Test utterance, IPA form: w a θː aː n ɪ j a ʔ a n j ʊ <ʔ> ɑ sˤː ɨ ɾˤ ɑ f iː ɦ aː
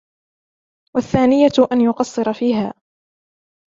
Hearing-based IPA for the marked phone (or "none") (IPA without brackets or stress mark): q